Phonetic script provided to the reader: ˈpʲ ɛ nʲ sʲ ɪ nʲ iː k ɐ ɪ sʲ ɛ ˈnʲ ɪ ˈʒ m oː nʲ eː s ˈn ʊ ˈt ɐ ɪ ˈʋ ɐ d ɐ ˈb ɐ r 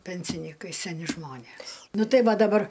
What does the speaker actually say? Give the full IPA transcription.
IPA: ˈpʲ ɛ nʲ sʲ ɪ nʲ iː k ɐ ɪ sʲ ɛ ˈnʲ ɪ ˈʒ m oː nʲ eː s ˈn ʊ ˈt ɐ ɪ ˈʋ ɐ d ɐ ˈb ɐ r